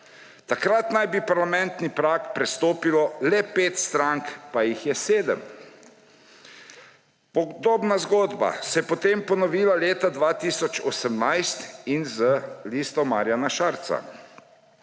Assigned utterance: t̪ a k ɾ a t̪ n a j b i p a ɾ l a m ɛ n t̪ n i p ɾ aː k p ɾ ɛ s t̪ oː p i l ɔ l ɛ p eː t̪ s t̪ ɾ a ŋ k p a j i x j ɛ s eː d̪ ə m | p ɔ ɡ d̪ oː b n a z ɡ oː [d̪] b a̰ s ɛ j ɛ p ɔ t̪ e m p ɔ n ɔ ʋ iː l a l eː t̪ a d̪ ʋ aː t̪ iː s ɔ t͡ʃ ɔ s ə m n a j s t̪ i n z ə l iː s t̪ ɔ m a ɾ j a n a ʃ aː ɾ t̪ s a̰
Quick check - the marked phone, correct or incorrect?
correct